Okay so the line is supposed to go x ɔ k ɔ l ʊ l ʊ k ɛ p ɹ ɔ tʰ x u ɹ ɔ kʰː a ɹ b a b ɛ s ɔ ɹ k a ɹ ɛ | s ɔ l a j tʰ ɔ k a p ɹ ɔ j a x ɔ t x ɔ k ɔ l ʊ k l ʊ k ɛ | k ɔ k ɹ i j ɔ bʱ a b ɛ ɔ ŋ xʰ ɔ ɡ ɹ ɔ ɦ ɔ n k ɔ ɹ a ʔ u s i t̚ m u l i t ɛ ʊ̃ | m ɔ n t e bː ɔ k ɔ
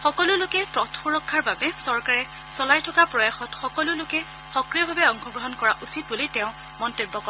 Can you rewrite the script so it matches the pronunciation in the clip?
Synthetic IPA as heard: x ɔ k ɔ l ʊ l ʊ k ɛ p ɹ ɔ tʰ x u ɹ ɔ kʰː a ɹ b a b ɛ s ɔ ɹ k a ɹ ɛ | s ɔ l a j tʰ ɔ k a p ɹ ɔ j a x ɔ t x ɔ k ɔ l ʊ l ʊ k ɛ | x ɔ k ɹ i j ɔ bʱ a b ɛ ɔ ŋ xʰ ɔ ɡ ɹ ɔ ɦ ɔ n k ɔ ɹ a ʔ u s i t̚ b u l i t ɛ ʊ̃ | m ɔ n t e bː ɔ k ɔ